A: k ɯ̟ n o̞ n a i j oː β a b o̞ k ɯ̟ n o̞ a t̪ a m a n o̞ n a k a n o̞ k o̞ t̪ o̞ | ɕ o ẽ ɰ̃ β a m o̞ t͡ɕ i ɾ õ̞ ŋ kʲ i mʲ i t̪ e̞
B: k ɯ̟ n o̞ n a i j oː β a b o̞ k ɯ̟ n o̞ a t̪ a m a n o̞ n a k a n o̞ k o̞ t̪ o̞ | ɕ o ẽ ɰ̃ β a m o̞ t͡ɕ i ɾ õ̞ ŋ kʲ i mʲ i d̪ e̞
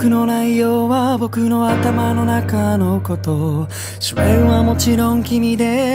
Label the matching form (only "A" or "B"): B